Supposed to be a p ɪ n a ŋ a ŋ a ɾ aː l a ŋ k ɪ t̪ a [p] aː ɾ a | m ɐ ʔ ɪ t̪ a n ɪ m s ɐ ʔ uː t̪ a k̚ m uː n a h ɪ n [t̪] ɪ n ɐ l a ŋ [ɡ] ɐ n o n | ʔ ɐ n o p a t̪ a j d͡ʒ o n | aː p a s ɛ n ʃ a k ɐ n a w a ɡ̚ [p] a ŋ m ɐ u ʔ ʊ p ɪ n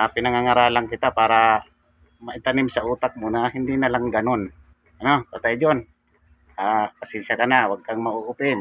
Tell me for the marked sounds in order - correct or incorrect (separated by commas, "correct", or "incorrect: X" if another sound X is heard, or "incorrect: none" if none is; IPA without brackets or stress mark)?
correct, incorrect: d̪, correct, incorrect: k